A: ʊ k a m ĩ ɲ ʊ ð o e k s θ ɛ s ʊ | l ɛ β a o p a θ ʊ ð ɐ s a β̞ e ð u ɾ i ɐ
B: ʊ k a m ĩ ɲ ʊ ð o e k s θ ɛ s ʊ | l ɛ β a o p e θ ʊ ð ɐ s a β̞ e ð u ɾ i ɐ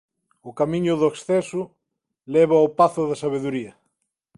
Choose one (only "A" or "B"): A